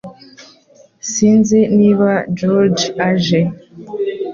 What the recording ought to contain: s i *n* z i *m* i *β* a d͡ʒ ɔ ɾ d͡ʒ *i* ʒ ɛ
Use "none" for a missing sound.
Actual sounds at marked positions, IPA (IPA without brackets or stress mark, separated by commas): n, n, β, a